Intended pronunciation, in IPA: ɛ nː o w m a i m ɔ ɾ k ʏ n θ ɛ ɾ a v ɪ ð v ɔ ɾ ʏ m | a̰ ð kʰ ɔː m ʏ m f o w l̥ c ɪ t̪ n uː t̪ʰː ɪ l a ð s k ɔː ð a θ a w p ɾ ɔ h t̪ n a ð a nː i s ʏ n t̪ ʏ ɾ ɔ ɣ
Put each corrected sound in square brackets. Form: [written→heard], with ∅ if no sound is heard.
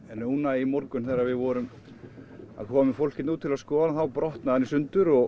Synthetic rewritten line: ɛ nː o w [m→n] a i m ɔ ɾ k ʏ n θ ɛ ɾ a v ɪ ð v ɔ ɾ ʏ m | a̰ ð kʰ ɔː m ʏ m f o w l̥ c ɪ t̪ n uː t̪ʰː ɪ l a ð s k ɔː ð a θ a w p ɾ ɔ h t̪ n a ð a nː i s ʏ n t̪ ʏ ɾ ɔ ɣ